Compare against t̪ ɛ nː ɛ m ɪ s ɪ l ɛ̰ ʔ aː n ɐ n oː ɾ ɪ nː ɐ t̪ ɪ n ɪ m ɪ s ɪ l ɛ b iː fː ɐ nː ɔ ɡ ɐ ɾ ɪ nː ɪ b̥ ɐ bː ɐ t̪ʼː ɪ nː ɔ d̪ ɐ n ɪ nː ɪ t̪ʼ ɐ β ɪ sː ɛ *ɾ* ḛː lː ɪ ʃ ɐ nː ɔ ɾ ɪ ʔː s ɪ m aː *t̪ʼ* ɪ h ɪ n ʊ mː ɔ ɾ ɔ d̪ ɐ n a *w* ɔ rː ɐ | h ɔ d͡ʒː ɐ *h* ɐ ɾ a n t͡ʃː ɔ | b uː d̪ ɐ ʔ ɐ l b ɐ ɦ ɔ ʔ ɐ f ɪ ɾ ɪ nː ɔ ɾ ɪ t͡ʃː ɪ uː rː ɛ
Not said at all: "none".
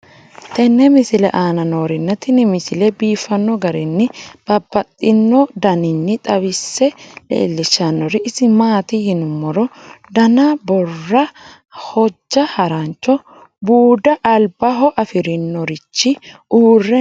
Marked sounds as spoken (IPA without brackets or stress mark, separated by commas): l, t̪, b, h